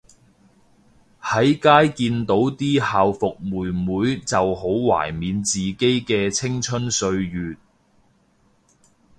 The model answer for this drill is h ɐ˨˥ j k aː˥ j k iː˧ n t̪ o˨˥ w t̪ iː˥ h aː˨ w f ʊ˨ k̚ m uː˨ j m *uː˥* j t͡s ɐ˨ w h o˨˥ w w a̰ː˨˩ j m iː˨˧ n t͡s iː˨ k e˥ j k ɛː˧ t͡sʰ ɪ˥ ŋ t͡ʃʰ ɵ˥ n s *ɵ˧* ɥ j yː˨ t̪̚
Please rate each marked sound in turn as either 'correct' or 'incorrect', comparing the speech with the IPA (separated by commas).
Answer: incorrect, correct